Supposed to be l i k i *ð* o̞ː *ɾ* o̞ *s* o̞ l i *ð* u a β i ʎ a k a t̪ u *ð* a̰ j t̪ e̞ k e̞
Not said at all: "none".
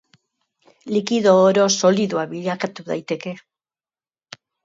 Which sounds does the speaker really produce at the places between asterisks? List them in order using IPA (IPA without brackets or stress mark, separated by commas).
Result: ð, ɾ, s, ð, ð